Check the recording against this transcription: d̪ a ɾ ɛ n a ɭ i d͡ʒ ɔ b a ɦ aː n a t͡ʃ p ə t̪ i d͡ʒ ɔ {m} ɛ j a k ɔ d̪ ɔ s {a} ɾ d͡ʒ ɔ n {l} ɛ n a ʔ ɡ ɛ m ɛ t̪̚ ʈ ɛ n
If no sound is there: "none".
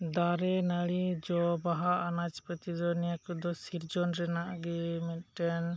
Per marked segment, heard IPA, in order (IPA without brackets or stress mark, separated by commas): n, i, ɾ